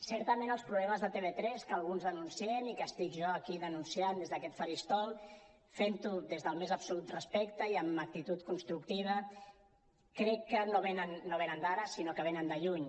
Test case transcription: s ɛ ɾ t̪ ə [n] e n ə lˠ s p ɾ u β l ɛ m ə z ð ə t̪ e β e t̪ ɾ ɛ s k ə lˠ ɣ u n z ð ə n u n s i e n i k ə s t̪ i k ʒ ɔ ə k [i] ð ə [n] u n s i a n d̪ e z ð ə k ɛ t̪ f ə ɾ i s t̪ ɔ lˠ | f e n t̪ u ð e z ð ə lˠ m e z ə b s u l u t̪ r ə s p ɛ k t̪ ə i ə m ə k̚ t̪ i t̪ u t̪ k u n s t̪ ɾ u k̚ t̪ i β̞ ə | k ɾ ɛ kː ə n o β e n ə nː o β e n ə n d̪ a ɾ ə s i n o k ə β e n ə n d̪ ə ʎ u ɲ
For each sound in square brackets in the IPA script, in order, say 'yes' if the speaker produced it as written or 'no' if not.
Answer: no, yes, yes

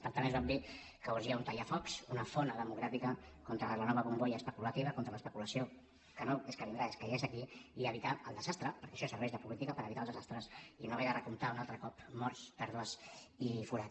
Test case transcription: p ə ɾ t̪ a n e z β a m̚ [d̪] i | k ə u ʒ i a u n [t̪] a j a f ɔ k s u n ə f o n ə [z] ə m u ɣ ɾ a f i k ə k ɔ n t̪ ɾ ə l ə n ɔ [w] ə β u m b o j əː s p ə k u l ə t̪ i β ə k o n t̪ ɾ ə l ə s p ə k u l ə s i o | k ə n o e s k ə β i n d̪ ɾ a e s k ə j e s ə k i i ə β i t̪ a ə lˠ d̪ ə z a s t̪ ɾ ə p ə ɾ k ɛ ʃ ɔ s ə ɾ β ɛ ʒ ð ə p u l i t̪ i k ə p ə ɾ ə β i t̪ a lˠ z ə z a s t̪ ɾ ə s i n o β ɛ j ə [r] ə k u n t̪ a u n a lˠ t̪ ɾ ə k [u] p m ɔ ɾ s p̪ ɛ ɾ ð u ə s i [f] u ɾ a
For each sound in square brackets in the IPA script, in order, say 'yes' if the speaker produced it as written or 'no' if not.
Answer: yes, yes, no, no, yes, no, yes

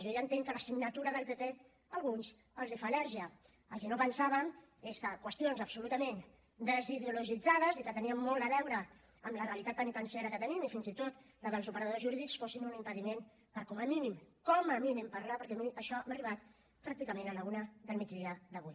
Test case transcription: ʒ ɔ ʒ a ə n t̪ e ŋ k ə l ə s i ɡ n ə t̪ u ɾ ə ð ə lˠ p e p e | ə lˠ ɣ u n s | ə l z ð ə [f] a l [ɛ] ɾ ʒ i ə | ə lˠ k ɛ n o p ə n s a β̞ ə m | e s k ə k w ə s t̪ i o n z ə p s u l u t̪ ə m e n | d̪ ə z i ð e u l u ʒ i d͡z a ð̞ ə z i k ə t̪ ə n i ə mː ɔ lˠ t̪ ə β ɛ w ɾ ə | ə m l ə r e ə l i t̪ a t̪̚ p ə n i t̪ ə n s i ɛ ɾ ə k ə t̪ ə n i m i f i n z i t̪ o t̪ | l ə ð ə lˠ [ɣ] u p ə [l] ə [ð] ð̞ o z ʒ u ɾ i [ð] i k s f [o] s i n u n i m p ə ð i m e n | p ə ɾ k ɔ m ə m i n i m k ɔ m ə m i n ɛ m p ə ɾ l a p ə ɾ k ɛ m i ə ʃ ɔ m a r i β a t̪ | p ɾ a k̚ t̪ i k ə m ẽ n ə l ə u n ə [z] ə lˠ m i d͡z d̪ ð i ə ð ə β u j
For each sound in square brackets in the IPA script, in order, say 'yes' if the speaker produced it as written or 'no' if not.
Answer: yes, yes, no, no, yes, yes, yes, no

